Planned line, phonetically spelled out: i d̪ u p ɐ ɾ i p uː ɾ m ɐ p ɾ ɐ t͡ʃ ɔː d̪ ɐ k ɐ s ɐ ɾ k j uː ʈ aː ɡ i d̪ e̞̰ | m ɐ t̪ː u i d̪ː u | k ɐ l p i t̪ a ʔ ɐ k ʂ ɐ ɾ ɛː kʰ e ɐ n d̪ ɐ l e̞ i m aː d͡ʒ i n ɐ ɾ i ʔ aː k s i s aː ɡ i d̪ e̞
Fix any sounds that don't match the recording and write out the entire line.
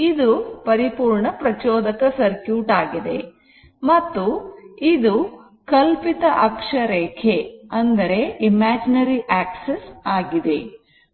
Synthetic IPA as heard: i d̪ u p ɐ ɾ i p uː ɾ ɳ ɐ p ɾ ɐ t͡ʃ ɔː d̪ ɐ k ɐ s ɐ ɾ k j uː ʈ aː ɡ i d̪ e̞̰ | m ɐ t̪ː u i d̪ u | k ɐ l p i t̪ ɐ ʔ ɐ k ʂ ɐ ɾ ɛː kʰ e ɐ n d̪ ɐ ɾ e̞ i m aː d͡ʒ i n ɐ ɾ i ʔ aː k s e s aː ɡ i d̪ e̞